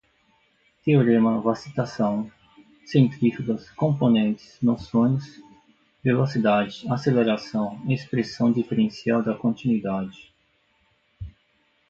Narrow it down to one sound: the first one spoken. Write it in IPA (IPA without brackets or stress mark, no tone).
t̪